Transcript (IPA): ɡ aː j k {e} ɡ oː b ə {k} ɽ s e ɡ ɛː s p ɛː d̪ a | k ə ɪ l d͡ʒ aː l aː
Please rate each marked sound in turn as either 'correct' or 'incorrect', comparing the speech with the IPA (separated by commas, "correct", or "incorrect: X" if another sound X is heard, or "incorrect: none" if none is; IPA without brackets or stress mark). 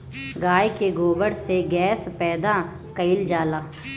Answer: correct, incorrect: none